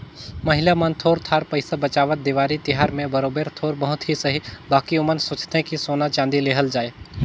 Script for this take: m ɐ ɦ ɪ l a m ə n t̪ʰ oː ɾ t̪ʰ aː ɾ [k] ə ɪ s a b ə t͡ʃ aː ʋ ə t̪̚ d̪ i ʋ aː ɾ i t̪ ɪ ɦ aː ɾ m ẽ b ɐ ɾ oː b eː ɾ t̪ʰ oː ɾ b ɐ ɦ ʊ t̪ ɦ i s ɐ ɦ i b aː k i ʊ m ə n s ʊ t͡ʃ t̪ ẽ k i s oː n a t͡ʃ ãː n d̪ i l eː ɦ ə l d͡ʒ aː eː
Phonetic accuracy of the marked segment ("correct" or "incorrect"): incorrect